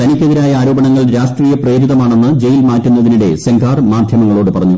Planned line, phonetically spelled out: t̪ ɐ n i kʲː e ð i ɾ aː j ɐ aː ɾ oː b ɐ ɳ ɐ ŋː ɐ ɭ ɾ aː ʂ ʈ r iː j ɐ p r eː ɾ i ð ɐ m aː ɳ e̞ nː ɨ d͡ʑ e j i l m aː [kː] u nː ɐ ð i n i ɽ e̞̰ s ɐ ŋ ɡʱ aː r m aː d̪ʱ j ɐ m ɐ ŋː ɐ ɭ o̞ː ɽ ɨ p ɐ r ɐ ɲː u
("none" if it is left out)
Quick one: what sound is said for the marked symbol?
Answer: tː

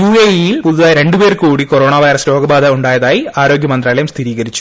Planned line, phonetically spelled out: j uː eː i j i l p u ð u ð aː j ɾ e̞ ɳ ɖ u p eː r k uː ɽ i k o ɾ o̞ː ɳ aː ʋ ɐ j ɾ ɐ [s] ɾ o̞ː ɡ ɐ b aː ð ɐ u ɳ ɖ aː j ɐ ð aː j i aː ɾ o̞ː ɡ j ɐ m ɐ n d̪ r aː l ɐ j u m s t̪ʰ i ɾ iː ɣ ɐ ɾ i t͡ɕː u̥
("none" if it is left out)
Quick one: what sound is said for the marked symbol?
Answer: s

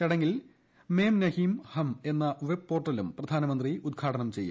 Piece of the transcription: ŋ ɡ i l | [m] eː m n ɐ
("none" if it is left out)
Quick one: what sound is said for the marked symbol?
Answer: m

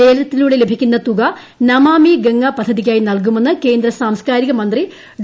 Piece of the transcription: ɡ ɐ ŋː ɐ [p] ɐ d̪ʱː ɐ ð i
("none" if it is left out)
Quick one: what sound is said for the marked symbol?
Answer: p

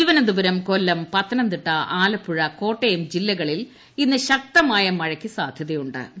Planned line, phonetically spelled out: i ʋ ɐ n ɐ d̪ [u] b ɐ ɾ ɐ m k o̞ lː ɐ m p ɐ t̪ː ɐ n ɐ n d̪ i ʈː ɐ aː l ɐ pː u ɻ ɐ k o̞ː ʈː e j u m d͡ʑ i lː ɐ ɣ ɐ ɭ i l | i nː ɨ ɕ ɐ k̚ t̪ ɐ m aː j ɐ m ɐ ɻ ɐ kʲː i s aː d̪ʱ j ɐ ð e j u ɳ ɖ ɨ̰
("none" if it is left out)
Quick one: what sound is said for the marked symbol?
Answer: u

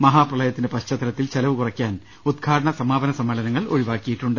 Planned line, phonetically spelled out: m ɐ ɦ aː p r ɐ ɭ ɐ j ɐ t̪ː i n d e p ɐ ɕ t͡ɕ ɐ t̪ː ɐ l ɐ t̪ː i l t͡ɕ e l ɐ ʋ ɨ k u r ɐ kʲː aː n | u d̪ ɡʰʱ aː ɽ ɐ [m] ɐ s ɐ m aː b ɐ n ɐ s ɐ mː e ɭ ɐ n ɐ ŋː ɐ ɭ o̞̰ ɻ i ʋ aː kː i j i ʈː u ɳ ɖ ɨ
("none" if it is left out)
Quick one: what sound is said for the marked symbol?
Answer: ɳ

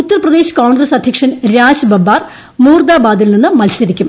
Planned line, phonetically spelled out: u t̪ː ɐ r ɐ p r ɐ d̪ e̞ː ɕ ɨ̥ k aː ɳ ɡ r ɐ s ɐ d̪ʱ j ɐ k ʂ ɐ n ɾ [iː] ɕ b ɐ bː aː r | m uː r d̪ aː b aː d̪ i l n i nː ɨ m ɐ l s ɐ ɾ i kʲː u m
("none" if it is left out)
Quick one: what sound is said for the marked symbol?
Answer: aː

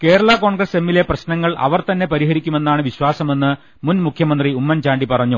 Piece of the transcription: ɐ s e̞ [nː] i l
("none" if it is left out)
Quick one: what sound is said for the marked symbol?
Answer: mː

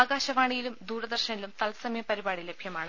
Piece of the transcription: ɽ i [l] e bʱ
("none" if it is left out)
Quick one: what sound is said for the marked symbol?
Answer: l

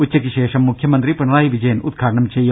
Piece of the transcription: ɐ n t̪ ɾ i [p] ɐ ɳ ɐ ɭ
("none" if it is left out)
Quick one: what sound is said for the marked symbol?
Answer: p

